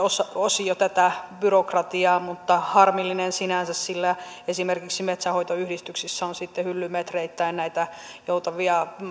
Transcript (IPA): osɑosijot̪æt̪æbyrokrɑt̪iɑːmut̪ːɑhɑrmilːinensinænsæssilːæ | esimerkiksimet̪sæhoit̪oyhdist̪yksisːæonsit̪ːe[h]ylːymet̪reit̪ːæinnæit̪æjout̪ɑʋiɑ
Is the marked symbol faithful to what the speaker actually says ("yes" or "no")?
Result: yes